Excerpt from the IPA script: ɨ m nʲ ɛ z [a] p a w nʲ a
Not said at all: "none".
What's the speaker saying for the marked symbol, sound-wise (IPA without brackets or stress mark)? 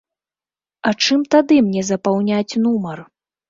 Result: ɐ